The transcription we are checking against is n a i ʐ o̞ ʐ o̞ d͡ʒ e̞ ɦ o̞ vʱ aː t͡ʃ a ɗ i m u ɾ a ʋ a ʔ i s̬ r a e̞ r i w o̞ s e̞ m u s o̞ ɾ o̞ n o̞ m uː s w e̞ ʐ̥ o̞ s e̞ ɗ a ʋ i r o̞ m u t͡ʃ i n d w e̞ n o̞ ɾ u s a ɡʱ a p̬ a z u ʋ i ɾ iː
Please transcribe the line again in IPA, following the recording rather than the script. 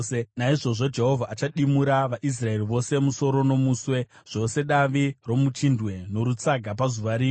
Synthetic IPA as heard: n a i ʐ o̞ ʐ o̞ d͡ʒ e̞ ɦ o̞ vʱ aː t͡ʃ a ɗ i m u ɾ a ʋ a ʔ i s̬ r a e̞ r i ʋ o̞ s e̞ m u s o̞ ɾ o̞ n o̞ m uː s w e̞ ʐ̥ o̞ s e̞ ɗ a ʋ i r o̞ m u t͡ʃ i n d w e̞ n o̞ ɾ u t͡s a ɡʱ a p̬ a z u ʋ a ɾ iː